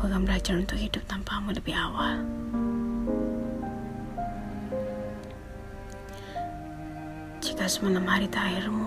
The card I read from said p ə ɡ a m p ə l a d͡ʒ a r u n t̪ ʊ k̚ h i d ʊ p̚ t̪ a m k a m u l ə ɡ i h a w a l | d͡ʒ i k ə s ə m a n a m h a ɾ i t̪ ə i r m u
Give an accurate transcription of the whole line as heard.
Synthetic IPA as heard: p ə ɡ a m b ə l a d͡ʒ a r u n t̪ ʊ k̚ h i d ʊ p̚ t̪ a m p a m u l ə b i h a w a l | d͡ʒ i k a s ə m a n a m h a ɾ i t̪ a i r m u